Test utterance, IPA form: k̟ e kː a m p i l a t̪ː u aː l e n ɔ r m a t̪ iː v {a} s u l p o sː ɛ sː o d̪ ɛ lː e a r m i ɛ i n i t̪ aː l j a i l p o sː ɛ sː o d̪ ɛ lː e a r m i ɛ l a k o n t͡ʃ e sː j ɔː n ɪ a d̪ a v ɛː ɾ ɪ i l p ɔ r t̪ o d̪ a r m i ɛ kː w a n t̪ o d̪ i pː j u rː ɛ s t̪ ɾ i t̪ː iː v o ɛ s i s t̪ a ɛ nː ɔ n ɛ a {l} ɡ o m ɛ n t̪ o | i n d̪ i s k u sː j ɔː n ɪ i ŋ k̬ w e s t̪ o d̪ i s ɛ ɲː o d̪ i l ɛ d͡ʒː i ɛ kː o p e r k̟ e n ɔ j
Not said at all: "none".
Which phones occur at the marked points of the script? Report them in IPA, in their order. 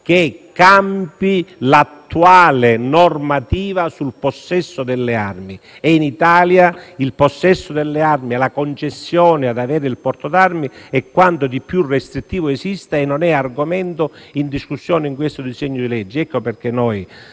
a, r

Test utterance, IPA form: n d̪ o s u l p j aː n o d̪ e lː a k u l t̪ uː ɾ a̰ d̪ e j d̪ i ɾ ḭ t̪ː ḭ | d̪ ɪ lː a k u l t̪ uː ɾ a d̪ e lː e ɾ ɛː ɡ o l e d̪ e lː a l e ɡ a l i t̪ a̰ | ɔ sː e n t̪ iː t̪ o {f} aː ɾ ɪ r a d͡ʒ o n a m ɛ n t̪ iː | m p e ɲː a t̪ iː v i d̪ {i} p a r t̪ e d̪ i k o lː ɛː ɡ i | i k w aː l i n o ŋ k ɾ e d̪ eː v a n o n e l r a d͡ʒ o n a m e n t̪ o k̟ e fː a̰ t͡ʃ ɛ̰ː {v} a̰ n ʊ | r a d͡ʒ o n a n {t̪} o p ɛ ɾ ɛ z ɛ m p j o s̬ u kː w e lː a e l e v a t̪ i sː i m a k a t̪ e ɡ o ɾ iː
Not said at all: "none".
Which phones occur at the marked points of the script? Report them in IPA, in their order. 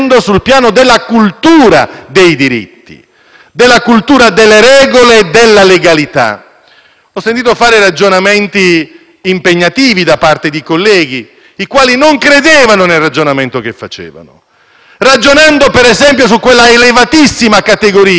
f, a, v, d̪

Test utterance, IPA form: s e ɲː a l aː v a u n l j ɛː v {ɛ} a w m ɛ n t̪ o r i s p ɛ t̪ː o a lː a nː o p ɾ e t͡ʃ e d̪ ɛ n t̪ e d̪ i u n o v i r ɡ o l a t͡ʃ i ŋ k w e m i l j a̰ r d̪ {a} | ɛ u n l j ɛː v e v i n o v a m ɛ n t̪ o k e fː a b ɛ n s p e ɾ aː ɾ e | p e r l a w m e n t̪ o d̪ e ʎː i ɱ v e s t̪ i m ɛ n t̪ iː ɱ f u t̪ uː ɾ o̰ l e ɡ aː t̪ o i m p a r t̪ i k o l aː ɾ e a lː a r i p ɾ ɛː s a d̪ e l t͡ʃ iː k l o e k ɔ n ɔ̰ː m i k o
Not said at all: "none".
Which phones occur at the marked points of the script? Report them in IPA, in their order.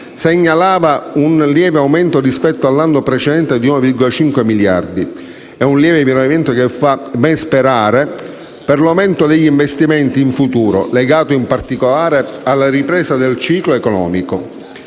e, i

